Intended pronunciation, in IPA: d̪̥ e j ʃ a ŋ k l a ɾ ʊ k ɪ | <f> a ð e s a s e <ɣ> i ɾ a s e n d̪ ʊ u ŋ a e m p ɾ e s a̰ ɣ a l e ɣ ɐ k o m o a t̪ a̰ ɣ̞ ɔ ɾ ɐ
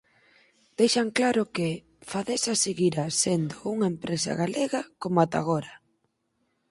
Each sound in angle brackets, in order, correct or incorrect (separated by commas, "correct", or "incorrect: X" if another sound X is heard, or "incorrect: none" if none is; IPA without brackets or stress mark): correct, correct